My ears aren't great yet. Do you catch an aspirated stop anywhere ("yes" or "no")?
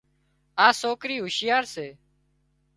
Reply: no